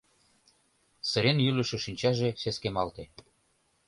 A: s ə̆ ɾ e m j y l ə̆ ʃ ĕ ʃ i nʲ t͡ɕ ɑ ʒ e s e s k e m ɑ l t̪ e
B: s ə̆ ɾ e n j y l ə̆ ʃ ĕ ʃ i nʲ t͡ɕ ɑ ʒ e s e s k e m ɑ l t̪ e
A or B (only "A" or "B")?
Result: B